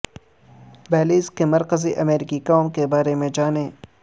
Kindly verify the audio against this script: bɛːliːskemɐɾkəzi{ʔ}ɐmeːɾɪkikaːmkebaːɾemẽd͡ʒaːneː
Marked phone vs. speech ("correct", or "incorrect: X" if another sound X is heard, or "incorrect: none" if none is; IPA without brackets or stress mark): correct